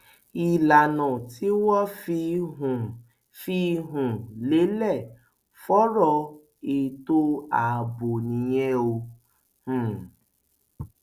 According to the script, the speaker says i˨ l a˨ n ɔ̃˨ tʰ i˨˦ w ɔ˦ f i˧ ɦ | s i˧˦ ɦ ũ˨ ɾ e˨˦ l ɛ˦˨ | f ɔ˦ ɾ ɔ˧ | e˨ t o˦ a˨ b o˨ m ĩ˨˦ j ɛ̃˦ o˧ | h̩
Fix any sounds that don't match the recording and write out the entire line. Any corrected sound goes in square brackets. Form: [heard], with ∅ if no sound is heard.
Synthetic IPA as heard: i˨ l a˨ n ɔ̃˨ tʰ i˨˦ w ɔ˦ f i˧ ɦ | [f] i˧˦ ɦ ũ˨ [l] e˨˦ l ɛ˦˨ | f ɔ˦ ɾ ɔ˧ | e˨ t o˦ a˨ b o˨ [n] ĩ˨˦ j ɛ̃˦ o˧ | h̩